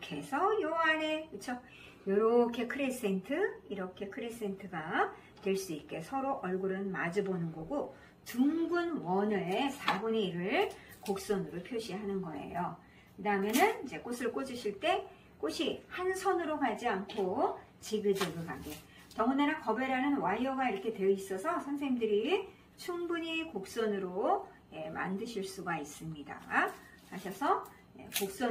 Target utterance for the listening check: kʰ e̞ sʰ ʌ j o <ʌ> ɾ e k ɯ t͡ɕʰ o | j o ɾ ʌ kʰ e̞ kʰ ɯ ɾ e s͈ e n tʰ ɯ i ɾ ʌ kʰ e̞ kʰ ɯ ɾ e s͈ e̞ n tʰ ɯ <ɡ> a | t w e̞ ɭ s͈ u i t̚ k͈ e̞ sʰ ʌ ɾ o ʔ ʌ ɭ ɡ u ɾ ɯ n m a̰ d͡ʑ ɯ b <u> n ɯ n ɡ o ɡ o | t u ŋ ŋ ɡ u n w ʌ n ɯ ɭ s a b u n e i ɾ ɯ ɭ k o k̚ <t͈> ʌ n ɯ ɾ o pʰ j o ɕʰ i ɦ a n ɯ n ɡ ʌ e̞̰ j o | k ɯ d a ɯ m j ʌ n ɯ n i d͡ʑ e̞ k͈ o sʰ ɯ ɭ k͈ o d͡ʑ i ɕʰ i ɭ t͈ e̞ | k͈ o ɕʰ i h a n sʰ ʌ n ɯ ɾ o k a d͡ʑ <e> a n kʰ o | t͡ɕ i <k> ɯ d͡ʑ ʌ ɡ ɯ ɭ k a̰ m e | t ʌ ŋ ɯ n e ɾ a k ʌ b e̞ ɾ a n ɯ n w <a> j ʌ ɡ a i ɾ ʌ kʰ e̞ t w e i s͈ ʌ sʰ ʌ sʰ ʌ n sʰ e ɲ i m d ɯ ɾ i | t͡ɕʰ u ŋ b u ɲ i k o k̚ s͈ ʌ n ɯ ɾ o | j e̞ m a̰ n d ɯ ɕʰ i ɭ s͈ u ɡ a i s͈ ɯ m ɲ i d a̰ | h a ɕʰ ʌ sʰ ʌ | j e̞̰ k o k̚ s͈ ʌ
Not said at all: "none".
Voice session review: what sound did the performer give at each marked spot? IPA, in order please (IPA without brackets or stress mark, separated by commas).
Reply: a, ɡ, o, s͈, i, ɡ, a